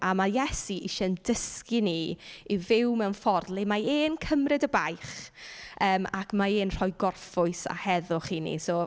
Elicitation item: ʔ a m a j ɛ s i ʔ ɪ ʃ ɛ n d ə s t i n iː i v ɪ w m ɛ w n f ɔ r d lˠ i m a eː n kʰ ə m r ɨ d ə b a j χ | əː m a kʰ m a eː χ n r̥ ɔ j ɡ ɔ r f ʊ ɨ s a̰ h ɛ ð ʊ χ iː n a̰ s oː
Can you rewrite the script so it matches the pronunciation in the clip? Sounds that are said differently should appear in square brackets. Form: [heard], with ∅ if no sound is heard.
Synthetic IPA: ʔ a m a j ɛ s i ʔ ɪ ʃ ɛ n d ə s [k] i n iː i v ɪ w m ɛ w n f ɔ r d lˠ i m a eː n kʰ ə m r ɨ d ə b a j χ | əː m a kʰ m a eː [∅] n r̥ ɔ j ɡ ɔ r f ʊ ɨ s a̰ h ɛ ð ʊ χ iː n [ḭ] s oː